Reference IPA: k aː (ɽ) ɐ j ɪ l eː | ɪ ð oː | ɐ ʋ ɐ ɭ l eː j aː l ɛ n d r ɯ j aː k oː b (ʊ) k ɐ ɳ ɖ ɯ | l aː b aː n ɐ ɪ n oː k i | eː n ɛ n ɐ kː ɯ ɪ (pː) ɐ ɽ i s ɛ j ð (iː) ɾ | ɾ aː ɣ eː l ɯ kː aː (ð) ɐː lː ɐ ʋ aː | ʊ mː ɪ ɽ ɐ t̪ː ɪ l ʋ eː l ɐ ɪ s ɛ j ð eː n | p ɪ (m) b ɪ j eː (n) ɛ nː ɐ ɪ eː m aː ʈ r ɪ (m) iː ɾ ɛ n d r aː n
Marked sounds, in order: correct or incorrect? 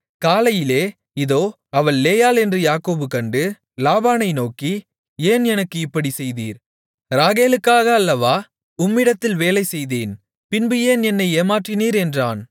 incorrect: l, incorrect: ɯ, correct, correct, incorrect: ɣ, incorrect: n, correct, incorrect: n

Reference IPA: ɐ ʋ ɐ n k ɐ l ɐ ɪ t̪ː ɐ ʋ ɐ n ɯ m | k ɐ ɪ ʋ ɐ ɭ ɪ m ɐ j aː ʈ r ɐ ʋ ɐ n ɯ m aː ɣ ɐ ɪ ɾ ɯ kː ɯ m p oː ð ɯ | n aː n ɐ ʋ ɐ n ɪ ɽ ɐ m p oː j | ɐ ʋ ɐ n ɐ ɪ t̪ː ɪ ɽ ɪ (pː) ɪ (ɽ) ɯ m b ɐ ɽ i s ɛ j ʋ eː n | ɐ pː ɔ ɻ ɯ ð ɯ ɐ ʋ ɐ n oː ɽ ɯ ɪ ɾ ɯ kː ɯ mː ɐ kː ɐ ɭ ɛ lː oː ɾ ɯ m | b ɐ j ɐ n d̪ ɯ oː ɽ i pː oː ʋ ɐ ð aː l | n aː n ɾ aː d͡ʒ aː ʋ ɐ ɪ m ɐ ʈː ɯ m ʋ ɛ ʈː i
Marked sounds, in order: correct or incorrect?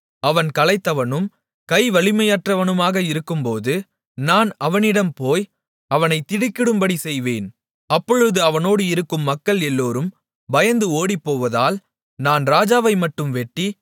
incorrect: kː, correct

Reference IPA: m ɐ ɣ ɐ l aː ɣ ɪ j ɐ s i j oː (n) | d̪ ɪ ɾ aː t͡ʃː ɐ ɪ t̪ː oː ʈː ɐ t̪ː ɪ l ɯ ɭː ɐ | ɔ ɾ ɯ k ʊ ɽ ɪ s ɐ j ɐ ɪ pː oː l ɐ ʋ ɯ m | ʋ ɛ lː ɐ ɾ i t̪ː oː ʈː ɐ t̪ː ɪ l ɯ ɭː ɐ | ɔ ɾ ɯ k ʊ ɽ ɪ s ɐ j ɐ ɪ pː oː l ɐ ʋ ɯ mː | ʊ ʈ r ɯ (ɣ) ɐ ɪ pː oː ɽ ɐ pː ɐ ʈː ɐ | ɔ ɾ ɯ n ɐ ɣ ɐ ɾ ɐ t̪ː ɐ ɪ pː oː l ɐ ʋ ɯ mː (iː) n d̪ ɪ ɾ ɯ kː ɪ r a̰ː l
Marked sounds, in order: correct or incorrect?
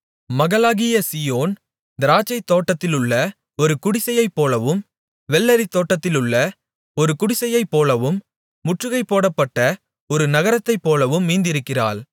correct, correct, correct

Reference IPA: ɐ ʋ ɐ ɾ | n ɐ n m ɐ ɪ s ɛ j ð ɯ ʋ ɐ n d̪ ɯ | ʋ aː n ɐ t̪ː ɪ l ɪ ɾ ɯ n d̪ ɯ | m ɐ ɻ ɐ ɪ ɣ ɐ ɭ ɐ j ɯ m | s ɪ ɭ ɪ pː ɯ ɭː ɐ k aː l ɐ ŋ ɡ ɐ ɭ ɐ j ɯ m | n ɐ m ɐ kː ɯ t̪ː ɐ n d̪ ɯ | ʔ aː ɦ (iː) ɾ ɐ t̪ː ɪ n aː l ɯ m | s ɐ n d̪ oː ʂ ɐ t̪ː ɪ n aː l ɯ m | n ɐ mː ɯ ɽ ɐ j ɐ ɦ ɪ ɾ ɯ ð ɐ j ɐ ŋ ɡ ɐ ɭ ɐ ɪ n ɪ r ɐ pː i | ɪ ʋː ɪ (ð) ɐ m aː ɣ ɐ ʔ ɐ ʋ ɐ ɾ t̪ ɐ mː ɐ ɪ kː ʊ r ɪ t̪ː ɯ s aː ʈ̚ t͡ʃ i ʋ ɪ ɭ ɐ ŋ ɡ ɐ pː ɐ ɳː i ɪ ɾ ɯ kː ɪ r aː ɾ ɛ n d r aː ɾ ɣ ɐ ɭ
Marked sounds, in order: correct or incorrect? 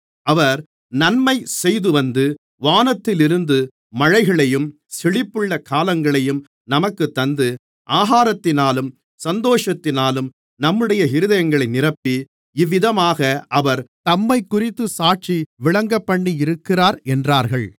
incorrect: aː, correct

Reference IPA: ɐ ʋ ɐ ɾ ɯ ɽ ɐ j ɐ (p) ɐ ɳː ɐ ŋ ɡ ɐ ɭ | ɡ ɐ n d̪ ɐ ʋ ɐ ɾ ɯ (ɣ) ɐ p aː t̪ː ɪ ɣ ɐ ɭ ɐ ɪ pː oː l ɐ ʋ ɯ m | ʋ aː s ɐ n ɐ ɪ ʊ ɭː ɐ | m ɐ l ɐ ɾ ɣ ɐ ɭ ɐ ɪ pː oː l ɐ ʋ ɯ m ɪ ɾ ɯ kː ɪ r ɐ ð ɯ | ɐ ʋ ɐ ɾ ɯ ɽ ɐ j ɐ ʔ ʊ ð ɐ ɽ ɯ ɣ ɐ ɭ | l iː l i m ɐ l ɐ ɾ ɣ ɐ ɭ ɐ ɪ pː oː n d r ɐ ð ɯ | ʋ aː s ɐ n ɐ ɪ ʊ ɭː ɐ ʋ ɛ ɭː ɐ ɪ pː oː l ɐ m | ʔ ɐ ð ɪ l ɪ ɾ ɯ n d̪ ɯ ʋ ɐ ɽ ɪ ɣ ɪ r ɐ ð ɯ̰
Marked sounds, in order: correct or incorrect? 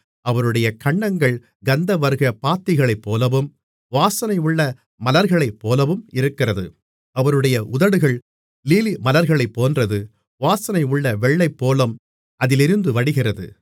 incorrect: k, correct

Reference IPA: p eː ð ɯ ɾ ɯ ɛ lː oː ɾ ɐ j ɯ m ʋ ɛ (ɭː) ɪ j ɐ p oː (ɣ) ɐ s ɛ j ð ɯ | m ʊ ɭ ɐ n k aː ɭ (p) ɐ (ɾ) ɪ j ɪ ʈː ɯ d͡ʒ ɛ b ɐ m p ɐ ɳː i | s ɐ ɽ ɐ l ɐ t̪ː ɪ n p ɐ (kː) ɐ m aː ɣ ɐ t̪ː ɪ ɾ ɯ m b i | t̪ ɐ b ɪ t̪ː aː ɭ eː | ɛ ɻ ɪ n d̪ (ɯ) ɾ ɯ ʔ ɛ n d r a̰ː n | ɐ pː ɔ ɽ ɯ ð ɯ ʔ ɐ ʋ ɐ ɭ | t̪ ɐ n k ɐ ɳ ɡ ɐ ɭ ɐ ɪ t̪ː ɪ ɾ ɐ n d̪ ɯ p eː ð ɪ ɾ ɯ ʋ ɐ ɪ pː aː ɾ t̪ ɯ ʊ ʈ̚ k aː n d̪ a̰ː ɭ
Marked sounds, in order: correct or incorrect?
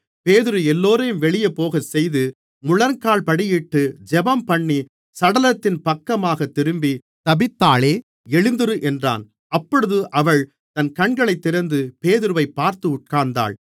incorrect: ɭ, correct, correct, incorrect: ɽ, correct, correct

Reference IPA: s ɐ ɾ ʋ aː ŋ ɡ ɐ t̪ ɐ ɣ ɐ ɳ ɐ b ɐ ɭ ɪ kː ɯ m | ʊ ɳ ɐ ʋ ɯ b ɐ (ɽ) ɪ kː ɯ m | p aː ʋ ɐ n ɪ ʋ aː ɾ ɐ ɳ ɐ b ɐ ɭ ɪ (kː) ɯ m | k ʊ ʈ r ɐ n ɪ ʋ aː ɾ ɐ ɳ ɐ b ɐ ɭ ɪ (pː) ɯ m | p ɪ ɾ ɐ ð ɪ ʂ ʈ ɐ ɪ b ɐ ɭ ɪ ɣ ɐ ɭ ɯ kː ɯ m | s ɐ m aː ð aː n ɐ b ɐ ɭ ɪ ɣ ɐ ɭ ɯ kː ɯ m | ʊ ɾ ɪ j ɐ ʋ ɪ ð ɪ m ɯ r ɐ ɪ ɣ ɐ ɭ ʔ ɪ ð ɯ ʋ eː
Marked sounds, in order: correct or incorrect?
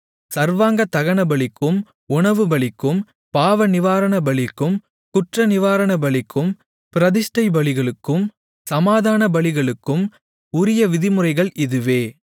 incorrect: ɭ, correct, incorrect: kː

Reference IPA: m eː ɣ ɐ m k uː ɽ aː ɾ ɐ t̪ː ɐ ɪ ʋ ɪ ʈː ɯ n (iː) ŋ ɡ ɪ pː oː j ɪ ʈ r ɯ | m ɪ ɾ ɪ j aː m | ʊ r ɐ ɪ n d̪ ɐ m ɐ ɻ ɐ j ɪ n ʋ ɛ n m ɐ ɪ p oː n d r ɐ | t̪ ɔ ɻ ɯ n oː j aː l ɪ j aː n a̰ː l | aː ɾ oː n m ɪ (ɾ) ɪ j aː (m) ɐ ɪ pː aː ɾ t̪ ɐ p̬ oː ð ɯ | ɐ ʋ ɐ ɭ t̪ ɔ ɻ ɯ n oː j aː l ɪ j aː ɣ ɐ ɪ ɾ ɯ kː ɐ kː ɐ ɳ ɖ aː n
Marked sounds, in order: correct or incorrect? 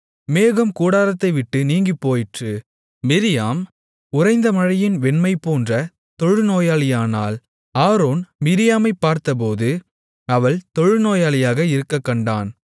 correct, correct, correct

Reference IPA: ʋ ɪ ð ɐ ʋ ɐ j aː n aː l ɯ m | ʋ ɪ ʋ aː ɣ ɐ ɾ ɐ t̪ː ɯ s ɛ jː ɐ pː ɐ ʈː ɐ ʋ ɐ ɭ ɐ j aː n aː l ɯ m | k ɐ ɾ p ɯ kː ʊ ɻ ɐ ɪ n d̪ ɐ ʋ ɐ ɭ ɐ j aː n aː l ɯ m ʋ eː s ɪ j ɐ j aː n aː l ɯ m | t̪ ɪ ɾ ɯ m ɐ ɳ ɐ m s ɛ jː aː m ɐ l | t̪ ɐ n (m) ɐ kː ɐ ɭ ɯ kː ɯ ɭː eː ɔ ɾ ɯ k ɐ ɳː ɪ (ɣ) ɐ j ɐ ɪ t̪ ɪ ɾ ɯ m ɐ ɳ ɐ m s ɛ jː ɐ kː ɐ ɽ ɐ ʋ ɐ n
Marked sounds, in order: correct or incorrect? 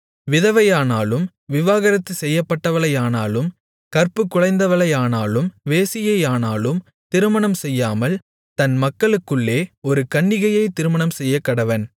correct, correct

